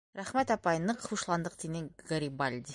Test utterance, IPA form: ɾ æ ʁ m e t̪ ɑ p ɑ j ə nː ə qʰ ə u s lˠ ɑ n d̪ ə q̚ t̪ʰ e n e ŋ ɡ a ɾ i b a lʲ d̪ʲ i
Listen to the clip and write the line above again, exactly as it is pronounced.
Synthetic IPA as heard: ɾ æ χ m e t̪ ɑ p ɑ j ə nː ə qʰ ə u ʃ lˠ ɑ n d̪ ə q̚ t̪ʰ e n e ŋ ɡ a ɾ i b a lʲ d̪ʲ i